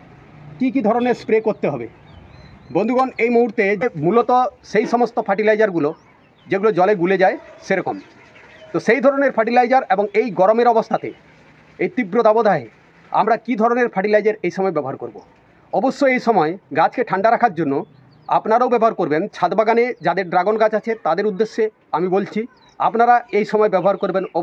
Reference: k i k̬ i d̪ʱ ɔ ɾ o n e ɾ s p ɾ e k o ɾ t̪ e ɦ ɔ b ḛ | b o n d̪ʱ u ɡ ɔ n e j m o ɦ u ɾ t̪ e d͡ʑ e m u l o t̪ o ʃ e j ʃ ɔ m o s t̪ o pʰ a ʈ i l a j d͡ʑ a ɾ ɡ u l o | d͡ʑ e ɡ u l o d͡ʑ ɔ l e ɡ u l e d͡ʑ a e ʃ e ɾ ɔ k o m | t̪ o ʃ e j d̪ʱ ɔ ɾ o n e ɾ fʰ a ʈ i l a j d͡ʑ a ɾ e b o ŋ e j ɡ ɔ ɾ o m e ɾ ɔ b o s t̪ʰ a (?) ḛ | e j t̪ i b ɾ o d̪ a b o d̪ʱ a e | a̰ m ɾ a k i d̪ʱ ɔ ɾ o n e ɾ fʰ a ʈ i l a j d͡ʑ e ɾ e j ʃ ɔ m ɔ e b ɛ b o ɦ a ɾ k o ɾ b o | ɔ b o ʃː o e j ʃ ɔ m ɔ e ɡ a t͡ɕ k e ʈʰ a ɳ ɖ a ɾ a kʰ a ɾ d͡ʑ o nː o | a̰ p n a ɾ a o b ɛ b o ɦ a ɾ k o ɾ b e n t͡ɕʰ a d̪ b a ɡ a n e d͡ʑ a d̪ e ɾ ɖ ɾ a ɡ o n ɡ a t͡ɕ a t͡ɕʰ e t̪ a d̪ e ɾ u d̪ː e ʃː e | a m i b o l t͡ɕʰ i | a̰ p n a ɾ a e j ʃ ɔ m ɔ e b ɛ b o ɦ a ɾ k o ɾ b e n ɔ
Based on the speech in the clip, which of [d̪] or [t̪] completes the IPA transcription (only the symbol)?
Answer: t̪